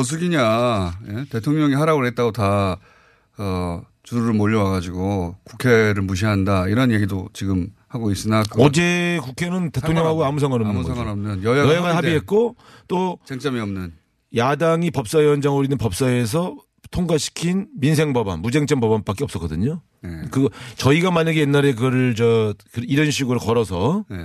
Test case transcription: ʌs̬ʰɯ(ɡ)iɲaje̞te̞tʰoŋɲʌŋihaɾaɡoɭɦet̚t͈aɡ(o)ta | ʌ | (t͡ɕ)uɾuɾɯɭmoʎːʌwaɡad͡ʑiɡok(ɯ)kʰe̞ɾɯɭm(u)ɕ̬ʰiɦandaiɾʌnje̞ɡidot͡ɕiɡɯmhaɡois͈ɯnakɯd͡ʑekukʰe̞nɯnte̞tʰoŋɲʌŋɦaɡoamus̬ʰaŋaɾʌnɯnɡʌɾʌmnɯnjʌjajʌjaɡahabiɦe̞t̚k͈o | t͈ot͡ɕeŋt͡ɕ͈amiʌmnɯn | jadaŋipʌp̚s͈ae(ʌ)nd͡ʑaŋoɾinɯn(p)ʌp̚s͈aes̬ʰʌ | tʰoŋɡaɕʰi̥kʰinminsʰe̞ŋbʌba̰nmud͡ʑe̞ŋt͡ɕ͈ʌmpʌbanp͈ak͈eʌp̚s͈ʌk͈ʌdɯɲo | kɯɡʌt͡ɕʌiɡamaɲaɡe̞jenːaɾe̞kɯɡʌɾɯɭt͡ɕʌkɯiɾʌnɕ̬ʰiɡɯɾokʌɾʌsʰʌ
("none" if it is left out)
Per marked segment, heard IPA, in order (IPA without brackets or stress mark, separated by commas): ɡ, o, t͡ɕ, u, u, ʌ, p